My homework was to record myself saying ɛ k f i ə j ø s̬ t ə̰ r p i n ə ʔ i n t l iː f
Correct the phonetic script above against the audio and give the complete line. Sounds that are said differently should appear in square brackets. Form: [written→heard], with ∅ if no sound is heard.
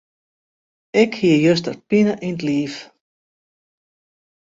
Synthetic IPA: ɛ k [f→h] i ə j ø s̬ t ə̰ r p i n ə ʔ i n t l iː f